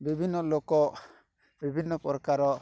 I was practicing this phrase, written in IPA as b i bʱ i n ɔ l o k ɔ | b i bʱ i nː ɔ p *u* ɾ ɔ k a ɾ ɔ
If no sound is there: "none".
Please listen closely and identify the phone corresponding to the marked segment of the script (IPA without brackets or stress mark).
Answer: ɔ